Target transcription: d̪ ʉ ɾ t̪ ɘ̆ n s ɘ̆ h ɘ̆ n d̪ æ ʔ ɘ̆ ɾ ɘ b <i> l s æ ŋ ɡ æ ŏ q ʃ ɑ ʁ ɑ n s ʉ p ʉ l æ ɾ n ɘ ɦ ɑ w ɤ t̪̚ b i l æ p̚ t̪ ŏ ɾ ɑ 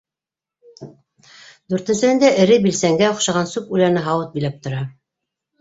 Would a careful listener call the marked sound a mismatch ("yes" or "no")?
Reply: no